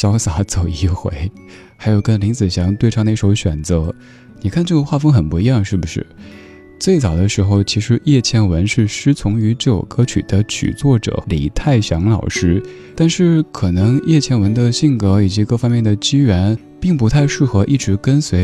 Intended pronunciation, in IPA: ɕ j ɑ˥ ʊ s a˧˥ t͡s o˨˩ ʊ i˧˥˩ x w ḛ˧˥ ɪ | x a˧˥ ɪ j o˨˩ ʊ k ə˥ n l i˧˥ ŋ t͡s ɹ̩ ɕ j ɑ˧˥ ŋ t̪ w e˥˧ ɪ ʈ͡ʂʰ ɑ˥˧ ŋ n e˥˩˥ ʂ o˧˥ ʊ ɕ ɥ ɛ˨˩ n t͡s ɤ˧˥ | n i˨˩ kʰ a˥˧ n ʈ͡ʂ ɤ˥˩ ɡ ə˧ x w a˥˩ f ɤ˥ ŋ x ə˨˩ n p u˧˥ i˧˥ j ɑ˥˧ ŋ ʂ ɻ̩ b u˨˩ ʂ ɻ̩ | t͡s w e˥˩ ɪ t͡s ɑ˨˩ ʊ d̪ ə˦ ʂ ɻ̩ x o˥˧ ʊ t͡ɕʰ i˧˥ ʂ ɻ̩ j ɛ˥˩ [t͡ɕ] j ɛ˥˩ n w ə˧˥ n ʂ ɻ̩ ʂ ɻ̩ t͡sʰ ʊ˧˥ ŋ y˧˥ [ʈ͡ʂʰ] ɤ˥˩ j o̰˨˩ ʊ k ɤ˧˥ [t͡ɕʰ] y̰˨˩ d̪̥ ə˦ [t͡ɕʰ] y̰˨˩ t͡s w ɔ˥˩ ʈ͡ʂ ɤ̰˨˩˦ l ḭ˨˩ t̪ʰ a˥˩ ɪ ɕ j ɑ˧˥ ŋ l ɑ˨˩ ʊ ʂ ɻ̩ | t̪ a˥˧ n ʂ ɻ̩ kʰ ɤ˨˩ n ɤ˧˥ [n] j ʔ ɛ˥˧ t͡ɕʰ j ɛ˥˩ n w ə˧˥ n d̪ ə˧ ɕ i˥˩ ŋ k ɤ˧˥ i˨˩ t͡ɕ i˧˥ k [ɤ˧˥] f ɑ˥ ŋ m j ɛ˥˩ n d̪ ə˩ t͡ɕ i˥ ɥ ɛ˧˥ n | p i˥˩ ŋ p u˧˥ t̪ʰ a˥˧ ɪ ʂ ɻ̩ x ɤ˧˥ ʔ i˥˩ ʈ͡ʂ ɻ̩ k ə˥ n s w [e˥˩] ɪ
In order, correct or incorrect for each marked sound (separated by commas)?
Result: incorrect, incorrect, correct, correct, incorrect, incorrect, incorrect